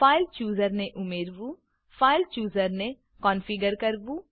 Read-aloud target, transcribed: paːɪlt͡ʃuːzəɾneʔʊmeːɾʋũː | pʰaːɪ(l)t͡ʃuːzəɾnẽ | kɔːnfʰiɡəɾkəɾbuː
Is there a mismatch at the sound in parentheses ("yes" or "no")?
no